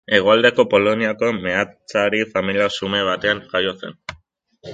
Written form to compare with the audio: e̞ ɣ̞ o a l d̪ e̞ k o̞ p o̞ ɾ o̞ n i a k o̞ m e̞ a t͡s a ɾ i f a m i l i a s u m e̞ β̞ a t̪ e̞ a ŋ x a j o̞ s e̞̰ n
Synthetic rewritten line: e̞ ɣ̞ o a l d̪ e̞ k o̞ p o̞ l o̞ n i a k o̞ m e̞ a t͡s a ɾ i f a m i l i a s u m e̞ β̞ a t̪ e̞ a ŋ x a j o̞ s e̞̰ n